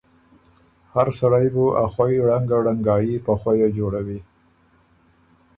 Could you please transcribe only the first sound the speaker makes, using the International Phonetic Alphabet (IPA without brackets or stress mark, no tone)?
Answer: h